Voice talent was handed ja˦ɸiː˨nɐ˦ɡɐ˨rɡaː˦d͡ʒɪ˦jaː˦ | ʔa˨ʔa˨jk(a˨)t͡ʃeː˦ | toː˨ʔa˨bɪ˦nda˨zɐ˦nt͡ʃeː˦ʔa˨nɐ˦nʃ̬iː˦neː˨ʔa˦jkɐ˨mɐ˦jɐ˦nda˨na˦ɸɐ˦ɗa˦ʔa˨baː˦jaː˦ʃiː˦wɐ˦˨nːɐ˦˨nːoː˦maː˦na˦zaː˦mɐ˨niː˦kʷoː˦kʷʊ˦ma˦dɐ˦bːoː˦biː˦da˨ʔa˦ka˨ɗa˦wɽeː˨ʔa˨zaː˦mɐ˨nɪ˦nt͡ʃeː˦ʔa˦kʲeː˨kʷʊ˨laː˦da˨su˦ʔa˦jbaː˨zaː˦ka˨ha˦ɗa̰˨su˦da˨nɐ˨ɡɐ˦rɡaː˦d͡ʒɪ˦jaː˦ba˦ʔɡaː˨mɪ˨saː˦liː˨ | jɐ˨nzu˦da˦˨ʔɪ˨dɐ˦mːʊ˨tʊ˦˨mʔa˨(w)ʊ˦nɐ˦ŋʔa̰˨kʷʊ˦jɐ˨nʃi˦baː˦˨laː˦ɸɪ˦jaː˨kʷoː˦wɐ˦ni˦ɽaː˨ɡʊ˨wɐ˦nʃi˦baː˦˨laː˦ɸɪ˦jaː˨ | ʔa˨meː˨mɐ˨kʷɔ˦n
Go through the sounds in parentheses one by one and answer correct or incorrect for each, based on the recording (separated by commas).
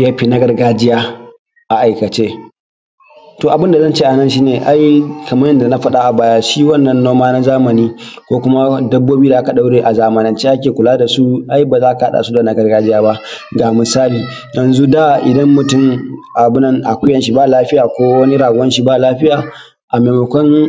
incorrect, incorrect